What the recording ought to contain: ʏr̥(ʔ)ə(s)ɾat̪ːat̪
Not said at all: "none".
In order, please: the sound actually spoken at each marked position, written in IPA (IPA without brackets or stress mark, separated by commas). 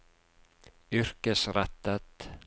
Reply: k, s